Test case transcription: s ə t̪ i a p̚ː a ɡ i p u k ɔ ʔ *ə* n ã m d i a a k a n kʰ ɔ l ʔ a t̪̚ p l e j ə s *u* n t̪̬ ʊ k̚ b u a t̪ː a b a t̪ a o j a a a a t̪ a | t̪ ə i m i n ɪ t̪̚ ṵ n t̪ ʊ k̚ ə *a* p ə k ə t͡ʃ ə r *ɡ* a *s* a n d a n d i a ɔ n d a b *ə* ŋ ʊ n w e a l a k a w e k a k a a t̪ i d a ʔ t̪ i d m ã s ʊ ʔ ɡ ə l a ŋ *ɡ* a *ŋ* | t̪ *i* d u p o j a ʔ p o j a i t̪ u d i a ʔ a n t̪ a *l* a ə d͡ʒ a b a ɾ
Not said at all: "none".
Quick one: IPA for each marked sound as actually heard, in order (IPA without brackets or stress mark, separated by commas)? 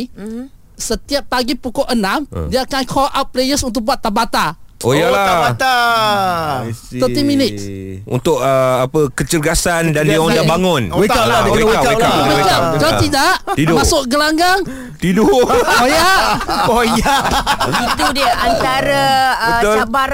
ə, u, a, ɡ, s, a, ɡ, ŋ, i, ɾ